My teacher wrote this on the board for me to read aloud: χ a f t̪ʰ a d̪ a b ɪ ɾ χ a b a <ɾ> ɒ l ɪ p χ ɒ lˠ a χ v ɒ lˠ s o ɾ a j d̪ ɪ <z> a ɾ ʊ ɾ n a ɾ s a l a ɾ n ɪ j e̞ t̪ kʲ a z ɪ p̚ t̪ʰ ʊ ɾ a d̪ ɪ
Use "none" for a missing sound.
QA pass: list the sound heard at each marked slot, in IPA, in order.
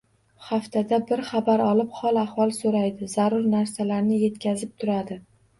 ɾ, z

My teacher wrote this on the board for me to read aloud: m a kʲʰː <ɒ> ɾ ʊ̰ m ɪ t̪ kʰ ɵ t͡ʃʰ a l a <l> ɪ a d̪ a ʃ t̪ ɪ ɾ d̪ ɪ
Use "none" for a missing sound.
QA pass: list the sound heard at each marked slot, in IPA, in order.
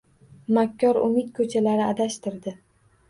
ɒ, ɾ

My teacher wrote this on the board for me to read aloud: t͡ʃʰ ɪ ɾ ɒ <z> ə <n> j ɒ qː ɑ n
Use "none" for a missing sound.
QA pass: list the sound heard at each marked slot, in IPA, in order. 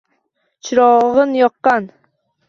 ʁ, n

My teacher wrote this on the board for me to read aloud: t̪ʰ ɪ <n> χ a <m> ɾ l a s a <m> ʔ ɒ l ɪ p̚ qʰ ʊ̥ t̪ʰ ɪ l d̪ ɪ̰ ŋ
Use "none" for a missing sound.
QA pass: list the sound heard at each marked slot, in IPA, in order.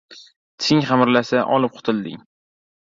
ŋ, m, none

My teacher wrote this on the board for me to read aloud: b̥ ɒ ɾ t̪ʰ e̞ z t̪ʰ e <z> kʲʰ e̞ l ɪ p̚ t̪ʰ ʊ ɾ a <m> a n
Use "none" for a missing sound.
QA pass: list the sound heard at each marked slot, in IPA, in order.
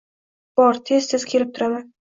z, m

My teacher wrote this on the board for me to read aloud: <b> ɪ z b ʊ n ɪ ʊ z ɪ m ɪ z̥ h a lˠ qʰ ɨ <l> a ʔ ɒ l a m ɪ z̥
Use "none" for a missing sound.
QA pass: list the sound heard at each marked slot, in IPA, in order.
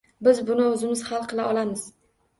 b, l

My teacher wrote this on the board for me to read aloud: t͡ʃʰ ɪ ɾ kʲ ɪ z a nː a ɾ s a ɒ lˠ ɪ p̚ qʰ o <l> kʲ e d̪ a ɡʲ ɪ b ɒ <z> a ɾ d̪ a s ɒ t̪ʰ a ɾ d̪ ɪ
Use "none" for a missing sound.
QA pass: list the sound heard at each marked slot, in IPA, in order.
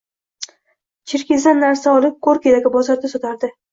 ɾ, z

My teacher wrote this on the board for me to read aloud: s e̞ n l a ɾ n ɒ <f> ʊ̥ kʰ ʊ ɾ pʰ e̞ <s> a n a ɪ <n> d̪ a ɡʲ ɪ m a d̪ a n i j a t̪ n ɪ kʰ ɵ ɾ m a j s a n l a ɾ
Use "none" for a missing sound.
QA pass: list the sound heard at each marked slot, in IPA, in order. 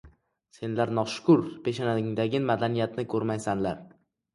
ʃ, ʃ, ŋ

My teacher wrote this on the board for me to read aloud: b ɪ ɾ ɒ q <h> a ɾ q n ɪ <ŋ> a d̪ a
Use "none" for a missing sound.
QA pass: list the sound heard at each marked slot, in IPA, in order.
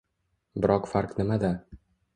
f, m

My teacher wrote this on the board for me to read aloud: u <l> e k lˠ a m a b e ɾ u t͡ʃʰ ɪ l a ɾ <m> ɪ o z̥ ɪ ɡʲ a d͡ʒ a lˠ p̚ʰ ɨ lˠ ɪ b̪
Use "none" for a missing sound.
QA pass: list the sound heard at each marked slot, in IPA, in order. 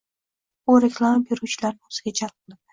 ɾ, n

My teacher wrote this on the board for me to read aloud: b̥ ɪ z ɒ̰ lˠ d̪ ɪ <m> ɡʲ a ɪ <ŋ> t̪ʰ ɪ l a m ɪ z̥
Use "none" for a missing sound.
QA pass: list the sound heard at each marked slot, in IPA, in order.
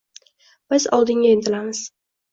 ŋ, n

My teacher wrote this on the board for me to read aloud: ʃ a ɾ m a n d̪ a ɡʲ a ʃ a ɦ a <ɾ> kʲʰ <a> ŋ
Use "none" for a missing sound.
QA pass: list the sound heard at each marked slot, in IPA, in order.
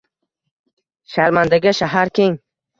ɾ, e

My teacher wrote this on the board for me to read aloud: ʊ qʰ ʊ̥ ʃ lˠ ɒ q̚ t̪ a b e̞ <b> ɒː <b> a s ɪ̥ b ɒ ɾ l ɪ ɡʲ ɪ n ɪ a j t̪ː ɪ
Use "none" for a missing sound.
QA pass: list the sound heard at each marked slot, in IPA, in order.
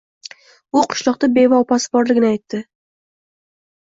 v, p

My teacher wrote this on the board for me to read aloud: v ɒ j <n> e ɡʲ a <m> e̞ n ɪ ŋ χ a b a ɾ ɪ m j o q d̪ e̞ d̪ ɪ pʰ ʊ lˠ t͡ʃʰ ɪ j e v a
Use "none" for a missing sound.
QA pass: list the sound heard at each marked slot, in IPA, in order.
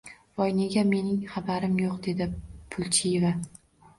n, m

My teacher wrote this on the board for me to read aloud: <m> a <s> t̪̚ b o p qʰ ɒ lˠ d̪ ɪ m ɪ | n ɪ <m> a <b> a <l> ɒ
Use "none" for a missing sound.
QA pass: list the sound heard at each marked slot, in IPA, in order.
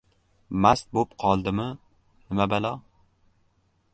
m, s, m, b, l

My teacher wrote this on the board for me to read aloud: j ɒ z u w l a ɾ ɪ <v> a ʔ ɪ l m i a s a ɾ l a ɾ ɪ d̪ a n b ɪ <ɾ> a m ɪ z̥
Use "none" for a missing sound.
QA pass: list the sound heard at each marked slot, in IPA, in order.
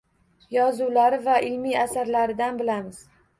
v, l

